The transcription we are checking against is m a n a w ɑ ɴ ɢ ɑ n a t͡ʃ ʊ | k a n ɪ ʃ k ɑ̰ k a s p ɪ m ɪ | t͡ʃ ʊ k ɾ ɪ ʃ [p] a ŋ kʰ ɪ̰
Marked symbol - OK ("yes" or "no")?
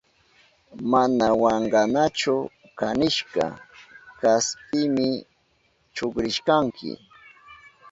no